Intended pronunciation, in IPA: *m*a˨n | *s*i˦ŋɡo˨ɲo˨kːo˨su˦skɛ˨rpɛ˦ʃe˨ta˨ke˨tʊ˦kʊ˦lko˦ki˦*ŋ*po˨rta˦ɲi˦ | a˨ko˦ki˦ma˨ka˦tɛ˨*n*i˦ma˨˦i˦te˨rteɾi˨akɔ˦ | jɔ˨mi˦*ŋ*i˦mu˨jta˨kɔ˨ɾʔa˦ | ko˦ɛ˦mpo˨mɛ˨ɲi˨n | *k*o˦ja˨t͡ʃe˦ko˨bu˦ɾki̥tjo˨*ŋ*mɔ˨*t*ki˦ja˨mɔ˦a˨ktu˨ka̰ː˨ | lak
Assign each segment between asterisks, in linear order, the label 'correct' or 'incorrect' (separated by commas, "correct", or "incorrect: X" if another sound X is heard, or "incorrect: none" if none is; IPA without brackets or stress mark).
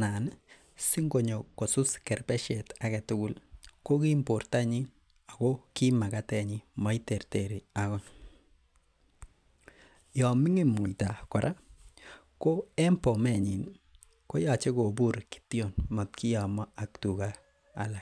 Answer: incorrect: n, correct, incorrect: m, incorrect: ɲ, correct, correct, incorrect: n, correct